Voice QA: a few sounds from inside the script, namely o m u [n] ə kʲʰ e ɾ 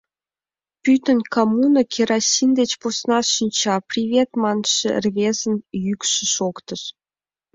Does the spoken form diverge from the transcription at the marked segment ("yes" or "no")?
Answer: no